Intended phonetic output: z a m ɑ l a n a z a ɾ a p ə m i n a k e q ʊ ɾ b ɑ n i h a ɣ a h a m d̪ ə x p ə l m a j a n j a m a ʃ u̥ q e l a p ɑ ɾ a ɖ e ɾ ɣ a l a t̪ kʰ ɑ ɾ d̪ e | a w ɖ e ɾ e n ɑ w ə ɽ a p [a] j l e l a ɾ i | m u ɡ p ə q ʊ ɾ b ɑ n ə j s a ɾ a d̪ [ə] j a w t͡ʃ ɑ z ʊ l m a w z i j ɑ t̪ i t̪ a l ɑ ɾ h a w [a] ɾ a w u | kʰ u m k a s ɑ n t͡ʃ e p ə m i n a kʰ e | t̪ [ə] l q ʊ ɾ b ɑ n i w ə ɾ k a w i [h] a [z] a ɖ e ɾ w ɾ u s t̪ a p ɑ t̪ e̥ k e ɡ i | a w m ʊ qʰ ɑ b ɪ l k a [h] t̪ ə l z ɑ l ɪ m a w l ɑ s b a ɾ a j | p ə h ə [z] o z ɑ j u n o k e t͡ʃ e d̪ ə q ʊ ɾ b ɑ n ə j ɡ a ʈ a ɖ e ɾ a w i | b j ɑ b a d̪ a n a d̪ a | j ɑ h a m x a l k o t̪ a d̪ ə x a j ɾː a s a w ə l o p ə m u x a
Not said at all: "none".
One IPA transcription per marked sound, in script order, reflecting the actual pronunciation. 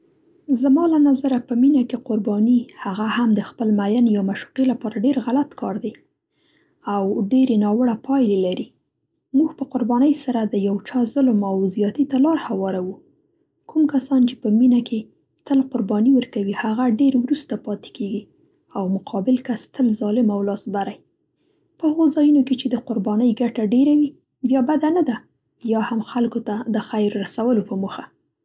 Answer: ɑ, ə, ɑ, ə, h, ɣ, s, ɣ

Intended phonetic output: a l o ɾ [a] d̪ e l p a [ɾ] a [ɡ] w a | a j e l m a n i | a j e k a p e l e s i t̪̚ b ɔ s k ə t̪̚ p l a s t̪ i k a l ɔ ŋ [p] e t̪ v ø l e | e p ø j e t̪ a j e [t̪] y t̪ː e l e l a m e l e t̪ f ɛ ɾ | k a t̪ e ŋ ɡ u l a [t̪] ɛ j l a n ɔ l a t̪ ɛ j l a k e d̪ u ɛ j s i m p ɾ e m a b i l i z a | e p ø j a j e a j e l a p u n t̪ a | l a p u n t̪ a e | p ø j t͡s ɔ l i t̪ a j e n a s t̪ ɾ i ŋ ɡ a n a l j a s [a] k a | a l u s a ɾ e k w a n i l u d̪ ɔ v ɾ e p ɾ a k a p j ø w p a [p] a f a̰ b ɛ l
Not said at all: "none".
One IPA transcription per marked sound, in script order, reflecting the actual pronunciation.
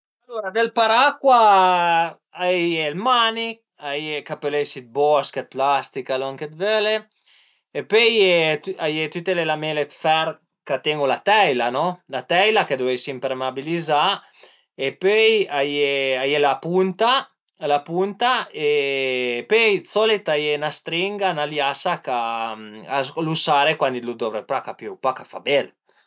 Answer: a, ɾ, k, k, t̪, t̪, a, k

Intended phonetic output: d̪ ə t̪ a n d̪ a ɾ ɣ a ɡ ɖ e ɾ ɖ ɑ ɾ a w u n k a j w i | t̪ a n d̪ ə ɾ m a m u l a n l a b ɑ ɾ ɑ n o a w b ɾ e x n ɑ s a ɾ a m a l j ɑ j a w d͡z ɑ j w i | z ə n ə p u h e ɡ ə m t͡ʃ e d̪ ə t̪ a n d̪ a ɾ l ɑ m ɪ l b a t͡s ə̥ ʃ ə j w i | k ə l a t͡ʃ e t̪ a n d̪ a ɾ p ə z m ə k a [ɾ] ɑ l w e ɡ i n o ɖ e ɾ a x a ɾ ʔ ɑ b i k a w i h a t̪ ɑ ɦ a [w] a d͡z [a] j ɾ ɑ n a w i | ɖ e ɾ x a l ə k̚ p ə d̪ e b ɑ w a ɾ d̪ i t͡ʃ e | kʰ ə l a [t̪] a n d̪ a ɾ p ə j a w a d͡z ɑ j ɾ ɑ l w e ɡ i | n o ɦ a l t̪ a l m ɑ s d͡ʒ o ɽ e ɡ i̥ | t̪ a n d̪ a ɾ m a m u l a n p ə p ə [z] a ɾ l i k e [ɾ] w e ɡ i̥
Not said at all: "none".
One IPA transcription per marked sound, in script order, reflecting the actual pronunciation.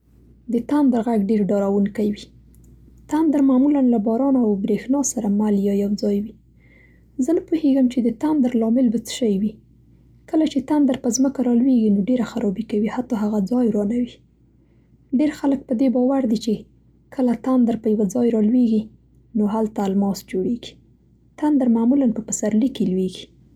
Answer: ɾ, ɣ, ɑ, t̪, s, l

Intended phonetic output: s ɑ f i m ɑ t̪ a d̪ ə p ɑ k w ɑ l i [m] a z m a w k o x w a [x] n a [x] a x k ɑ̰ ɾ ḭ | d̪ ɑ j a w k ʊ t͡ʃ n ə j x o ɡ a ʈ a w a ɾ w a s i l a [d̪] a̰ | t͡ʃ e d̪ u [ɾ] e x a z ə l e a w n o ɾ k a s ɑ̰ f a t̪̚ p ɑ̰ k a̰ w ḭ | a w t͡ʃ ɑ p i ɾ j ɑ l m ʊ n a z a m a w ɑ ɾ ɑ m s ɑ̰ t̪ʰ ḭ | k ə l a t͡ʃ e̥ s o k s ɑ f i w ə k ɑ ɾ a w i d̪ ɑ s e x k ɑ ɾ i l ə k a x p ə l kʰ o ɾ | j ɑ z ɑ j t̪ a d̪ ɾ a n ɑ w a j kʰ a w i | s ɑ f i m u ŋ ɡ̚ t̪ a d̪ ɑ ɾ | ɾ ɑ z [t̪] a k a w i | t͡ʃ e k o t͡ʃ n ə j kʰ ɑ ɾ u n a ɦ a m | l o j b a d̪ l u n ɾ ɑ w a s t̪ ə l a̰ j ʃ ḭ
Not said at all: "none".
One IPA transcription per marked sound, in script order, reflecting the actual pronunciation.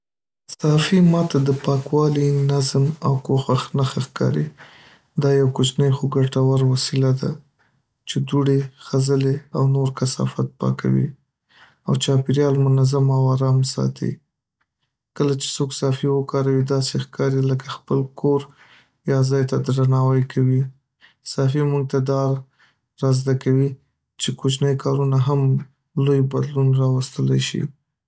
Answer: n, x, x, d̪, ɽ, d̪

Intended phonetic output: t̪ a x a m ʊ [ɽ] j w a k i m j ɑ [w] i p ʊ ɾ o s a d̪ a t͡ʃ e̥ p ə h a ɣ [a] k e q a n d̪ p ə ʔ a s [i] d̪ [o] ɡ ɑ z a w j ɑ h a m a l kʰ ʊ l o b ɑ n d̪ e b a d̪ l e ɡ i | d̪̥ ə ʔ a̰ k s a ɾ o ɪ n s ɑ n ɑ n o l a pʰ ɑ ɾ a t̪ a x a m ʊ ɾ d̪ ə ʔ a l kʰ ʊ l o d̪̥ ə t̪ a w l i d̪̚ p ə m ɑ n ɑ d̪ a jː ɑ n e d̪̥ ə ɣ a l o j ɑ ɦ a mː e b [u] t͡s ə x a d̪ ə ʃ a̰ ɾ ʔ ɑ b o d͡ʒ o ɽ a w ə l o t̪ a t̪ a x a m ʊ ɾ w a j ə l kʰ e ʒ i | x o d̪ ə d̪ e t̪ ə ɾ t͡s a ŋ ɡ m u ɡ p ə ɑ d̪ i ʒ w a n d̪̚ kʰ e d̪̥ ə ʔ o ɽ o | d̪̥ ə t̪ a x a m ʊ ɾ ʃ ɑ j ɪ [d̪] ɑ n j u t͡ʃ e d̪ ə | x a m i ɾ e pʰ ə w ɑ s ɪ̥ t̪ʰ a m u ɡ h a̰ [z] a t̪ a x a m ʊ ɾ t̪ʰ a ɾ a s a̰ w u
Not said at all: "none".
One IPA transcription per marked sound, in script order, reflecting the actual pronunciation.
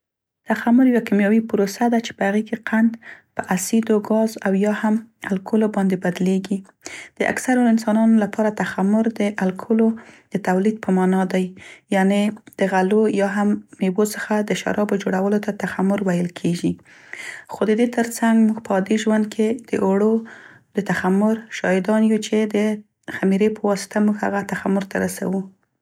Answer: ɾ, w, e, i, o, o, d̪, ɣ

